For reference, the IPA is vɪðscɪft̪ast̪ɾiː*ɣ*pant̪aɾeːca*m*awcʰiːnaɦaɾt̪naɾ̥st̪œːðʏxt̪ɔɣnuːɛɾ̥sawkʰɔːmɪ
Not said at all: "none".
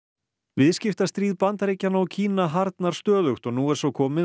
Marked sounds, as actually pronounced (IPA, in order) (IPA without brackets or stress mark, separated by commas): ð, n